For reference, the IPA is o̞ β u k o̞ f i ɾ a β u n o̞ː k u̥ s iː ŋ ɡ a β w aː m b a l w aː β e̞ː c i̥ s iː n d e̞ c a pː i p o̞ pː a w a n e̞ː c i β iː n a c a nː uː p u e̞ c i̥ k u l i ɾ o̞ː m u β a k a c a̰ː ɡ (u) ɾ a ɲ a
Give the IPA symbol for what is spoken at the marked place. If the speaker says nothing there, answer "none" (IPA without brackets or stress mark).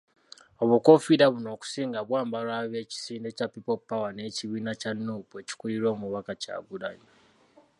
u